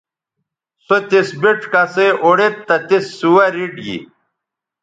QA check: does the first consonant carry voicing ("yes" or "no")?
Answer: no